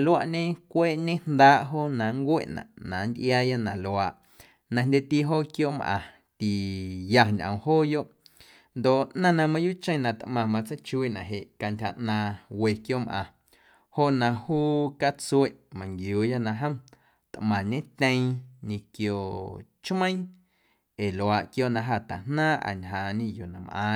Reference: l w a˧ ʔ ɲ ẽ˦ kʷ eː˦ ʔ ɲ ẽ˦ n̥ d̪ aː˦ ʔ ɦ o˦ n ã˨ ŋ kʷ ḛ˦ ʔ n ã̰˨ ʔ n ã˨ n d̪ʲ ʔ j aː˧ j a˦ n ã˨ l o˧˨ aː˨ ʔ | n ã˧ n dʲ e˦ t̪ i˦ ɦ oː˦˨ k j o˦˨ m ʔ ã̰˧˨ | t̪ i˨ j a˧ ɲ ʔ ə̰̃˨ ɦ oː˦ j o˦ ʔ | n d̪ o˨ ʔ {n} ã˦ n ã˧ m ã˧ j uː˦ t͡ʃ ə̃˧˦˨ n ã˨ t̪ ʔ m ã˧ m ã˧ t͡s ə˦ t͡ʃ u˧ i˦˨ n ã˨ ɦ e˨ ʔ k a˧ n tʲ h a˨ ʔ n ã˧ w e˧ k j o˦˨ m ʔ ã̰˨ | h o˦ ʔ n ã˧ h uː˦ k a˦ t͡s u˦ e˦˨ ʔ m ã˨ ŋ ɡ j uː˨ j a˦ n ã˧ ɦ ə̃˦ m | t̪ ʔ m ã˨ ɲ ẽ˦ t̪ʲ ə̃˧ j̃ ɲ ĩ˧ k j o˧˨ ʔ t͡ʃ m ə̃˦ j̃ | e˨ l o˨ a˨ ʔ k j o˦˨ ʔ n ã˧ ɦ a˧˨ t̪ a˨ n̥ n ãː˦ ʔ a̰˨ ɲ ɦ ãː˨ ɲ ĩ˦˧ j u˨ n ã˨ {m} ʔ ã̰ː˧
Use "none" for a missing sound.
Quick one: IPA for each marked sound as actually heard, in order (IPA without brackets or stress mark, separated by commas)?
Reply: n, m